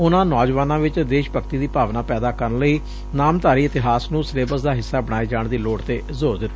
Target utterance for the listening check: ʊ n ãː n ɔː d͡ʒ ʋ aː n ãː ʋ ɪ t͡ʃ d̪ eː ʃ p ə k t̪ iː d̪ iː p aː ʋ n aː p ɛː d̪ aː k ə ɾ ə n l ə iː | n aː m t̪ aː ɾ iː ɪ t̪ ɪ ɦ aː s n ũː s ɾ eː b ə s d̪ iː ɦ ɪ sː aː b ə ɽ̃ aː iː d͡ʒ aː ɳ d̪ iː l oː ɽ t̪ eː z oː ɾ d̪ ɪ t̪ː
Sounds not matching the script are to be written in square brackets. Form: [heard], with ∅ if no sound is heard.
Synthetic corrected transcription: ʊ n ãː n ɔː d͡ʒ ʋ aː n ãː ʋ ɪ t͡ʃ d̪ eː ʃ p ə k t̪ iː d̪ iː p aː ʋ n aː p ɛː d̪ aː k ə ɾ ə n l ə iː | n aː m t̪ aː ɾ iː ɪ t̪ ɪ ɦ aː s n ũː s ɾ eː b ə s d̪ [aː] ɦ ɪ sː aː b ə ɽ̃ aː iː d͡ʒ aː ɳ d̪ iː l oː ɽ t̪ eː z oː ɾ d̪ ɪ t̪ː